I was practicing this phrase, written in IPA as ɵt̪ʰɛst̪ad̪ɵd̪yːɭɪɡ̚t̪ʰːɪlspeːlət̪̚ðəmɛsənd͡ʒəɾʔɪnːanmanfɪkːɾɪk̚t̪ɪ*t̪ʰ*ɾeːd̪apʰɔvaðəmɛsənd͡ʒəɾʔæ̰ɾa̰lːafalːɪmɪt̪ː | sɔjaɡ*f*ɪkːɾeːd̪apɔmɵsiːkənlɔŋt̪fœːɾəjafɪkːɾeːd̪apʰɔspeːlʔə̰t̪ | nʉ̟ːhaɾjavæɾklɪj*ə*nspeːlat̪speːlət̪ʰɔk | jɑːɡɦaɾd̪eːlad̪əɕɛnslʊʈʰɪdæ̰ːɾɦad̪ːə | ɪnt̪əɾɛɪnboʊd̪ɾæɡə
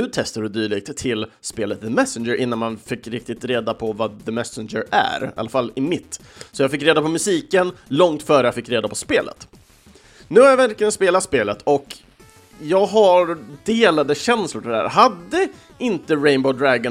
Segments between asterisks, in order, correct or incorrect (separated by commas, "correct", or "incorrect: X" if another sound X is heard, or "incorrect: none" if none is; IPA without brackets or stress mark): incorrect: t̪, correct, correct